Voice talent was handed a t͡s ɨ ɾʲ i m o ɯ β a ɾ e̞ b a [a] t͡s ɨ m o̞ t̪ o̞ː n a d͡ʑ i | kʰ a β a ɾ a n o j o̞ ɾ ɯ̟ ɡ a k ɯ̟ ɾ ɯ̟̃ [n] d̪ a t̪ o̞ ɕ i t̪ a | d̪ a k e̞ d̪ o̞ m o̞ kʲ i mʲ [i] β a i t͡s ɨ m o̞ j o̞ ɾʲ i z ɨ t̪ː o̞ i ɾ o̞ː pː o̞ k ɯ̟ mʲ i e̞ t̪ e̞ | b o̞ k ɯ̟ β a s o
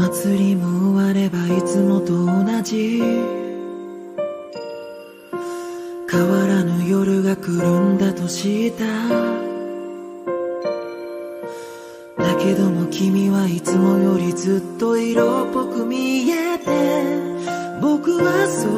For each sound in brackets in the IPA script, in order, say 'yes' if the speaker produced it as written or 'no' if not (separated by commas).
no, yes, yes